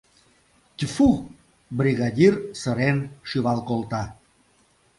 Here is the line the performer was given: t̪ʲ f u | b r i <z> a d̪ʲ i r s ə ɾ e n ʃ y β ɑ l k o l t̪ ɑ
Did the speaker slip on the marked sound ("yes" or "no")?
yes